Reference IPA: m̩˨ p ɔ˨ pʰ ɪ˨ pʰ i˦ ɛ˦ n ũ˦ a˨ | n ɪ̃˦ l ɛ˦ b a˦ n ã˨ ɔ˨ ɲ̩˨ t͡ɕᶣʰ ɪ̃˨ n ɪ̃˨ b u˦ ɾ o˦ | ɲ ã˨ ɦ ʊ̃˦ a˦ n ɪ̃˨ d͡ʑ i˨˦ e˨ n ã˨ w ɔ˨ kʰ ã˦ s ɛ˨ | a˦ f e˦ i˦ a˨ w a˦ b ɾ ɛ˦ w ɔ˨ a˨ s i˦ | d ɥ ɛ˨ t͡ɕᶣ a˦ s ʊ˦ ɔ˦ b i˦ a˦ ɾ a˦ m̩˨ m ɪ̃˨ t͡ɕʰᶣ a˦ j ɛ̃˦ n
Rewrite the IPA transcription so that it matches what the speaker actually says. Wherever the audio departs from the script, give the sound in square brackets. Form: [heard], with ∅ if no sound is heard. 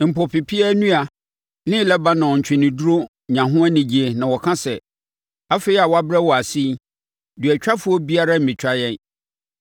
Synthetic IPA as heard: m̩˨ p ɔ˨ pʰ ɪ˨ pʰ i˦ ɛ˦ n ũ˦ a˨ | n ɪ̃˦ l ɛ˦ b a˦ n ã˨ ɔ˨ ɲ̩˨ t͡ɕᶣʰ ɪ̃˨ n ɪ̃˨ [d] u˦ ɾ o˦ | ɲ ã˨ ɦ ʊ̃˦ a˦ n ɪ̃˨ d͡ʑ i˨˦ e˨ n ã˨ w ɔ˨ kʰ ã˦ s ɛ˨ | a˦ f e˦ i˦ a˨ w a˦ b ɾ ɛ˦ w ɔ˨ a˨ s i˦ | d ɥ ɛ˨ t͡ɕᶣ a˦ [f] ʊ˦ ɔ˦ b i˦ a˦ ɾ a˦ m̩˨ m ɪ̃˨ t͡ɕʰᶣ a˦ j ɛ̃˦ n